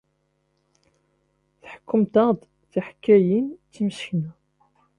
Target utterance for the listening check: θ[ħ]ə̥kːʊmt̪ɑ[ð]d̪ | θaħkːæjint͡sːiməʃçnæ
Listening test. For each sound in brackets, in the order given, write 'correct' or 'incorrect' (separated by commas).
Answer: correct, incorrect